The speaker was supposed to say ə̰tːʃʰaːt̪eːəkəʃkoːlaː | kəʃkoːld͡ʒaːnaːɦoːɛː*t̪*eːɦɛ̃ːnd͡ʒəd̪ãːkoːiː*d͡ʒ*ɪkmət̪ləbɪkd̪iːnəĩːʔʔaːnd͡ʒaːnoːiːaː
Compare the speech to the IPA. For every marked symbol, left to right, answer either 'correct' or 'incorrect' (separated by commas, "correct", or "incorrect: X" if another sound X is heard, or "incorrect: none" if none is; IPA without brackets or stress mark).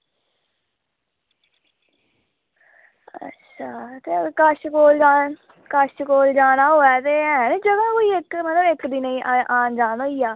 correct, incorrect: none